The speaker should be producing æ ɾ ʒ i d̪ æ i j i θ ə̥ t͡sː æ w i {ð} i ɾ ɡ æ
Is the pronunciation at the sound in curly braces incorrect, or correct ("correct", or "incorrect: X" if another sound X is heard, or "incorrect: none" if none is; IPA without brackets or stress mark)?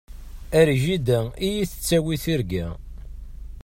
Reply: incorrect: θ